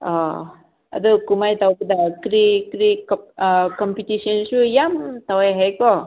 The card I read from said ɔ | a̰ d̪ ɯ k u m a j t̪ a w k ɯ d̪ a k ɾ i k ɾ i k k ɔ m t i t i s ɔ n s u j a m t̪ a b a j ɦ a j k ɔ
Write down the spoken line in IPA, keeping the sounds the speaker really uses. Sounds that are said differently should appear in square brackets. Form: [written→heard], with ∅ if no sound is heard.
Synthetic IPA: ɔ | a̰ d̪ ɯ k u m a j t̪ a w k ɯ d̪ a k ɾ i k ɾ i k k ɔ m [t→p] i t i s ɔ n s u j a m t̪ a [b→w] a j ɦ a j k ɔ